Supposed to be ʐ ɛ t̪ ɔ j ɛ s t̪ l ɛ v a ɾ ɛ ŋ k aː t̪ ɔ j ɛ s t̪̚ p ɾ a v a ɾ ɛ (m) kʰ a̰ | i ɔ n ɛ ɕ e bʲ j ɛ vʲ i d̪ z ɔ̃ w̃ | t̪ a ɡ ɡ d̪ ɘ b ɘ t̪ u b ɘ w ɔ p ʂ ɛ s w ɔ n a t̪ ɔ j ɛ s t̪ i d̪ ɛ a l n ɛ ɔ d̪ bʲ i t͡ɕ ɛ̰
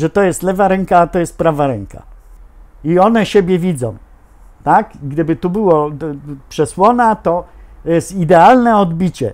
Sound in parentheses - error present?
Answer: yes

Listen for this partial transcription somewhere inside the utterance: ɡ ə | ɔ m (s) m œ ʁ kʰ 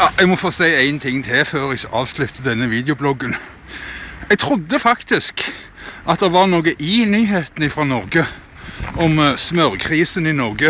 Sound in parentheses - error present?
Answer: no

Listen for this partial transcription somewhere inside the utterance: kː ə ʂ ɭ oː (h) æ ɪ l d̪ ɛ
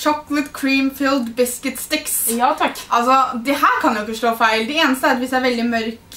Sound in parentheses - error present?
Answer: yes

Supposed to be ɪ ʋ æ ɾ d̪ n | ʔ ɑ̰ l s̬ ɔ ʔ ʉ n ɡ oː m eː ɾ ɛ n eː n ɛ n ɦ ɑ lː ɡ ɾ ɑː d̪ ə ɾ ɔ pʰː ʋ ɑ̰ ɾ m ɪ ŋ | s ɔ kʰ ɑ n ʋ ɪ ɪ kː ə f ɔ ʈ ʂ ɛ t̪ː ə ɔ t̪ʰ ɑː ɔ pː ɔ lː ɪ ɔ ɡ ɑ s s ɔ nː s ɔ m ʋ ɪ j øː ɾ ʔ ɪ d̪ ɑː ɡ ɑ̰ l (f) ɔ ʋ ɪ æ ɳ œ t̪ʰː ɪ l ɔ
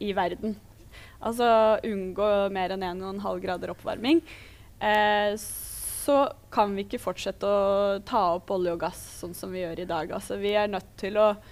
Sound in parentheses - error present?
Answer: yes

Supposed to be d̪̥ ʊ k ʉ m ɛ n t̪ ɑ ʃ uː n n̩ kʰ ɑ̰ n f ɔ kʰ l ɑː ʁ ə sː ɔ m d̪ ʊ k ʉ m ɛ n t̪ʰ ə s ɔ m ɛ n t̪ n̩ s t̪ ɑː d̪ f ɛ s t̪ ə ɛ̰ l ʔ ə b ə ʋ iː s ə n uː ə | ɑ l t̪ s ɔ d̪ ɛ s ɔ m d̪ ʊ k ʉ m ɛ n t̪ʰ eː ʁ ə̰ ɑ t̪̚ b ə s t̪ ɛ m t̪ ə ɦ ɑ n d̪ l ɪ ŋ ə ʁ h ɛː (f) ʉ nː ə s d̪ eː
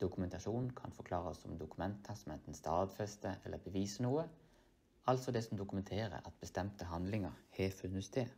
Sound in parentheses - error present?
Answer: no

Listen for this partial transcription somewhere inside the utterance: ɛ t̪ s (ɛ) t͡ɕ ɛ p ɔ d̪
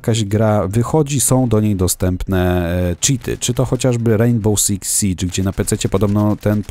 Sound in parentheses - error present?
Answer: no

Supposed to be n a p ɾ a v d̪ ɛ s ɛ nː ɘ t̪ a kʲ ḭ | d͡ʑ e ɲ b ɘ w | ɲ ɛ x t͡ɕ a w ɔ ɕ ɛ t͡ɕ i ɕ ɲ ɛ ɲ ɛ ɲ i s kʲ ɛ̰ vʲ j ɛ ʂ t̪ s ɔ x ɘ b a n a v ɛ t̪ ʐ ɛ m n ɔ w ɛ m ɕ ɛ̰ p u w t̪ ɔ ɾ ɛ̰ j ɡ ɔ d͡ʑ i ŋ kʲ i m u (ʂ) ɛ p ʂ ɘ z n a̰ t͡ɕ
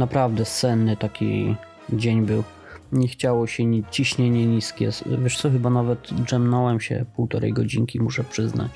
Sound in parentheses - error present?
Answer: no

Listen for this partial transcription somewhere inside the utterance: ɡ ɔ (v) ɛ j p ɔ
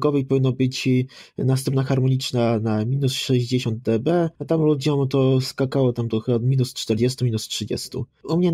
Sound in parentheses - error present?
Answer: no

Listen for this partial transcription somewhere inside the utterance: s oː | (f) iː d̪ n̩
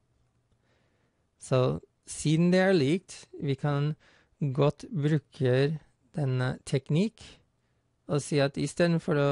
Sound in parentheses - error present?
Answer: yes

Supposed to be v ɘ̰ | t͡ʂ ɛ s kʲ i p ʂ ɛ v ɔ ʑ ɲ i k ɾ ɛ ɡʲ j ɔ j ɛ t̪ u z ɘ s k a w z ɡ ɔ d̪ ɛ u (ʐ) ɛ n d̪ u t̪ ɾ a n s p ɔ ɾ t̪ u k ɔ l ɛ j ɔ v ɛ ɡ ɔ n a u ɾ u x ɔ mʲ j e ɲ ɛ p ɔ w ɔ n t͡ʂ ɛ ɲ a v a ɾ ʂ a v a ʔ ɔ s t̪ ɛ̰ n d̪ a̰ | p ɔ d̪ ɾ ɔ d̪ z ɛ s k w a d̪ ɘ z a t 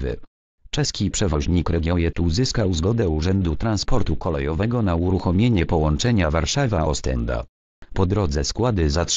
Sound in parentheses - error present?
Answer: no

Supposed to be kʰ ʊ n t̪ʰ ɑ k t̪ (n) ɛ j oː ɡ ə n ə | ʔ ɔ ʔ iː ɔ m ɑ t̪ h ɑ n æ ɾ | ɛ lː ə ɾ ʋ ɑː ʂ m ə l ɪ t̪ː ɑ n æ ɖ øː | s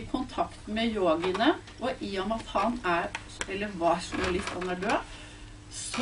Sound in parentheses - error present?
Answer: yes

